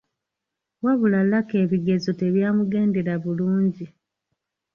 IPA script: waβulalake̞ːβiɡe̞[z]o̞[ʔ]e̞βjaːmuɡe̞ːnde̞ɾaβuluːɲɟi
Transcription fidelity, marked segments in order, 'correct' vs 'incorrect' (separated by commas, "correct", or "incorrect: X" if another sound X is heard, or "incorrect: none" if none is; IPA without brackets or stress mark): correct, incorrect: t